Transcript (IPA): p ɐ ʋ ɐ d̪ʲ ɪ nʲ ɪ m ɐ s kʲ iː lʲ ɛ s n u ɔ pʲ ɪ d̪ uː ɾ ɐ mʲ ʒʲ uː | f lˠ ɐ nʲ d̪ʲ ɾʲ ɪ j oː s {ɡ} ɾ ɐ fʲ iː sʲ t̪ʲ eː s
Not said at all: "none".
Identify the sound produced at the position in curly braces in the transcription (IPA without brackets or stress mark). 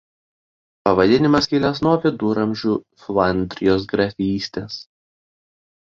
ɡ